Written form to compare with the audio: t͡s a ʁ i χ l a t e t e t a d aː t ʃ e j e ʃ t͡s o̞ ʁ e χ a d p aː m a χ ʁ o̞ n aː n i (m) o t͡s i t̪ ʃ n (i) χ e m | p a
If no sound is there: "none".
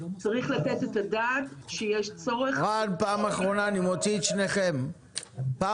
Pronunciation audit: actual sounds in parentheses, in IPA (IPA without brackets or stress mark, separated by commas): m, e